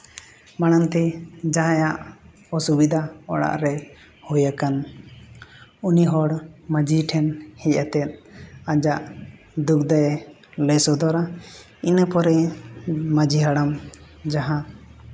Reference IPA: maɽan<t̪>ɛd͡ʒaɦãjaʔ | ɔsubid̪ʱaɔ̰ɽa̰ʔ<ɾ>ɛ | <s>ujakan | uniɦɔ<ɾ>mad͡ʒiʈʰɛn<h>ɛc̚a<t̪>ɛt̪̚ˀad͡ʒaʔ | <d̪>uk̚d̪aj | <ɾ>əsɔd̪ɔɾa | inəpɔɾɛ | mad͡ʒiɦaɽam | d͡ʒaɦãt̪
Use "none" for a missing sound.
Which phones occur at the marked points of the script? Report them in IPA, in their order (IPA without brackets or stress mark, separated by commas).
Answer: t̪, ɾ, h, ɽ, h, t̪, d̪, l